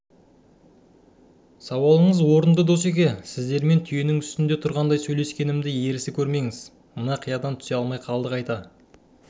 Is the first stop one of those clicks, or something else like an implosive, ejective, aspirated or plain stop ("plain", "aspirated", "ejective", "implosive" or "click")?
plain